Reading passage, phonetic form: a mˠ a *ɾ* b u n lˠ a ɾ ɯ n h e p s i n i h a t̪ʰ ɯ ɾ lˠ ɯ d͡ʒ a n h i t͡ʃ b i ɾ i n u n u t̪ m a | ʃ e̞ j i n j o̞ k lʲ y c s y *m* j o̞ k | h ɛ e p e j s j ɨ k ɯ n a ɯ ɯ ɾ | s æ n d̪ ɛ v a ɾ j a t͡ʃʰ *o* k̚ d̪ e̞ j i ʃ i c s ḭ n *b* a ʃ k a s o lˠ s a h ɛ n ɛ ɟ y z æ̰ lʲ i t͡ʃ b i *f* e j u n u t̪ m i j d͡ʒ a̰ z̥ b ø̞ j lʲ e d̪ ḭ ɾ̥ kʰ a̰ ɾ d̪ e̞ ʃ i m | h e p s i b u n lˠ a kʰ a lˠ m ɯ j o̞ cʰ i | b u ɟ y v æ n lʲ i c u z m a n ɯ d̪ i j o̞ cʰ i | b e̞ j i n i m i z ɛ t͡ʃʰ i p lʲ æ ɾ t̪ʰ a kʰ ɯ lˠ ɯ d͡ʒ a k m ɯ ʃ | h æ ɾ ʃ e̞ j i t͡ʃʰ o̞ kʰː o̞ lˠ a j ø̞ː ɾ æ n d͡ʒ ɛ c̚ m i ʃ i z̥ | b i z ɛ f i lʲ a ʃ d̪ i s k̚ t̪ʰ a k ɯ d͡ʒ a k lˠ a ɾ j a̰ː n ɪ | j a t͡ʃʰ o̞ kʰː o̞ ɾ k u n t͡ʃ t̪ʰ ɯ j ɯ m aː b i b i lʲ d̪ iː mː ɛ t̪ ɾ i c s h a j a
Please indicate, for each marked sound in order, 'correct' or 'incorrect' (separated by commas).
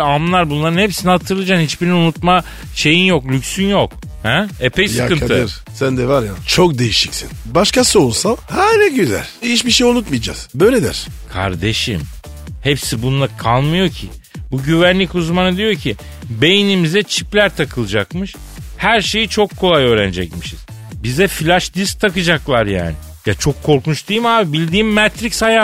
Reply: correct, incorrect, correct, correct, incorrect